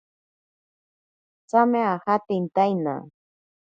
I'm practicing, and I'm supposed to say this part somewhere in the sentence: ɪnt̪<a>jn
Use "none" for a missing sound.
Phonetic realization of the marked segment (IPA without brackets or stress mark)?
a